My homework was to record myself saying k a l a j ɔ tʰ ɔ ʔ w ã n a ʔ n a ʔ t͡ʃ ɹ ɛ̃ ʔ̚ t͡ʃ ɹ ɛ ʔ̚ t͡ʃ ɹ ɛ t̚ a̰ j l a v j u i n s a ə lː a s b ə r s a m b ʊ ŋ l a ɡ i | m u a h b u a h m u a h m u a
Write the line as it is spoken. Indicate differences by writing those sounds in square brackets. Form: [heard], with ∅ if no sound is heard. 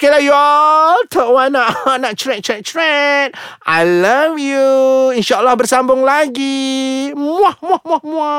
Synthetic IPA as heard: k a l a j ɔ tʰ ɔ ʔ w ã n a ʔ n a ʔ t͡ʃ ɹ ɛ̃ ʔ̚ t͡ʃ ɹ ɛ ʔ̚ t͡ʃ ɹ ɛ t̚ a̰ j l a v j u i n [ʃ] a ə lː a [h] b ə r s a m b ʊ ŋ l a ɡ i | m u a h [m] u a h m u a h m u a